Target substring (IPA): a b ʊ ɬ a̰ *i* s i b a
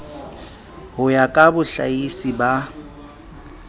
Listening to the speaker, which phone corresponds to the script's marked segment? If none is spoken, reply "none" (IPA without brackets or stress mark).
i